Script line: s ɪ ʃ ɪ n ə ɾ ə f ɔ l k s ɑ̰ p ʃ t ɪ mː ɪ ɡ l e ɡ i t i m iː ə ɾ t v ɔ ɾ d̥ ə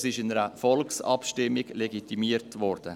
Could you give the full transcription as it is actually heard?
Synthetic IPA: s ɪ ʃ ɪ n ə ɾ ə f ɔ l k s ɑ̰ p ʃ t ɪ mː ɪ ɡ l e ɡ i t i m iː ə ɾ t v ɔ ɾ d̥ ə

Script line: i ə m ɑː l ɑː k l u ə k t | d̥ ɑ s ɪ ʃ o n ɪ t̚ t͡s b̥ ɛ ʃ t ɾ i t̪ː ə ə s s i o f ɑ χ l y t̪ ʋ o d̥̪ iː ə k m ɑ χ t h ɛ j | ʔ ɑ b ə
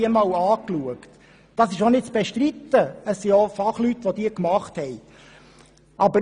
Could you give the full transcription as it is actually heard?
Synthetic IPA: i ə m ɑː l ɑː k l u ə k t | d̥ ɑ s ɪ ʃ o n ɪ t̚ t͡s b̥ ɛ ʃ t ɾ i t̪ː ə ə s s i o f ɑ χ l y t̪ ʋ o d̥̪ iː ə k m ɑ χ t h ɛ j | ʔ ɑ b ə

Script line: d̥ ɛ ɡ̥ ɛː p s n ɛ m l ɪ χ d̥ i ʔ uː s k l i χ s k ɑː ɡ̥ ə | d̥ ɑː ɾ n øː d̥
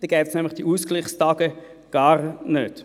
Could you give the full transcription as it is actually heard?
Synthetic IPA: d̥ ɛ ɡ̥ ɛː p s n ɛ m l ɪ χ d̥ i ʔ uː s k l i χ s t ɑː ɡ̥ ə | ɡ̥ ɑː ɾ n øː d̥

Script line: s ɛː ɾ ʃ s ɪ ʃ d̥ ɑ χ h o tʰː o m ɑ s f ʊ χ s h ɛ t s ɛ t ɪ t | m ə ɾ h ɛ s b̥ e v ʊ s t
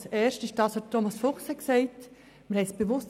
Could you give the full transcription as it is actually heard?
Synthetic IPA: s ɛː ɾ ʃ t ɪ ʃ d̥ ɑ s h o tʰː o m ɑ s f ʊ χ s h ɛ k s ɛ ɪ t | m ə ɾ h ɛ s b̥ e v ʊ s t

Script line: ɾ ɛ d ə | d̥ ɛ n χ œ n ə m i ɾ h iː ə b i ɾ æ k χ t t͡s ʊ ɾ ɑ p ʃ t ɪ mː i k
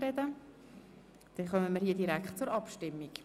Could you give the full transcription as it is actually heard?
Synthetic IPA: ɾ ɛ d ə | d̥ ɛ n χ œ m ə m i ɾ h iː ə d i ɾ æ k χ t t͡s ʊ ɾ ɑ p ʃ t ɪ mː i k

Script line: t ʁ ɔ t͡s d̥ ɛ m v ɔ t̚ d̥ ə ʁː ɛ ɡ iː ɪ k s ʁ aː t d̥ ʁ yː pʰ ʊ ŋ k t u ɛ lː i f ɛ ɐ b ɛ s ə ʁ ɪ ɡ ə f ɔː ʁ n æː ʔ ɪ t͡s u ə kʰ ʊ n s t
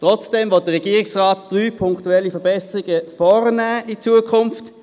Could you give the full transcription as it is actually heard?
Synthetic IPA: t ʁ ɔ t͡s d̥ ɛ m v ɔ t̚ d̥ ə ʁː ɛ ɡ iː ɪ k s ʁ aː t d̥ ʁ yː pʰ ʊ ŋ k t u ɛ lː i f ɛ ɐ b ɛ s ə ʁ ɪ ɡ ə f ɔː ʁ n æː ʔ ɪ t͡s u ə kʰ ʊ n f t

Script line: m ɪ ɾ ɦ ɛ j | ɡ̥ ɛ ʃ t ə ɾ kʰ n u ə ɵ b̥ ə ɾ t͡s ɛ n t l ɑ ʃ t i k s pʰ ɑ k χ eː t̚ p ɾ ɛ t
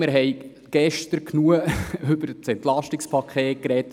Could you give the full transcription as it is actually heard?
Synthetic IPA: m ɪ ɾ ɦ ɛ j | ɡ̥ ɛ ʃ t ə ɾ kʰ n u ə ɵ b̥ ə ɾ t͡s ɛ n t l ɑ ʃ t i k s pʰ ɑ k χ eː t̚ k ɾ ɛ t

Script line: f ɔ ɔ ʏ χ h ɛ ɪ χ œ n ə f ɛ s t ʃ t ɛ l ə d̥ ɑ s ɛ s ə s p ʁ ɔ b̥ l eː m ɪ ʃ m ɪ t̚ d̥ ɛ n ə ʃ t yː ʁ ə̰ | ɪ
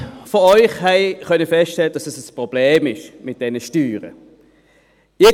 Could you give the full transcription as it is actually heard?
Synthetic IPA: f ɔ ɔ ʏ χ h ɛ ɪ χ œ n ə f ɛ s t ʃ t ɛ l ə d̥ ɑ s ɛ s ə s p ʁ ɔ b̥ l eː m ɪ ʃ m ɪ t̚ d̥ ɛ n ə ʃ t yː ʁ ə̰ | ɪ

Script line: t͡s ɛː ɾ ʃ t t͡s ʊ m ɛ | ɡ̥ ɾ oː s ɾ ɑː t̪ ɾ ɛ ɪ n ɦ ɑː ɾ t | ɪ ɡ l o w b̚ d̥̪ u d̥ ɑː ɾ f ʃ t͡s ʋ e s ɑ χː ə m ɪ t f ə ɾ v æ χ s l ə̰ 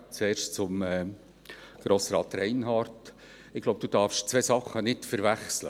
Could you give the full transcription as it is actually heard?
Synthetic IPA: t͡s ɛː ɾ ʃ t t͡s ʊ m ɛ | ɡ̥ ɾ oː s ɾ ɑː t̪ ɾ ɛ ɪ n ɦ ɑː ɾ t | ɪ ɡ l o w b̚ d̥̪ u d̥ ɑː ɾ f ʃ t͡s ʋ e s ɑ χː ə n ɪ t f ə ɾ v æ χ s l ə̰

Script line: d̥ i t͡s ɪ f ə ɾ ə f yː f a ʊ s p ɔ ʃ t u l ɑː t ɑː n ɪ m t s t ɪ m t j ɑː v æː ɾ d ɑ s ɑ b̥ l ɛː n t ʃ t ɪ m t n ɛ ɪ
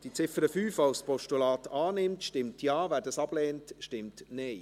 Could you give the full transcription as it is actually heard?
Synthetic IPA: d̥ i t͡s ɪ f ə ɾ ə f yː f a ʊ s p ɔ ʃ t u l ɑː t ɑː n ɪ m t ʃ t ɪ m t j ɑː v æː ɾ d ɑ s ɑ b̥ l ɛː n t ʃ t ɪ m t n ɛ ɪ

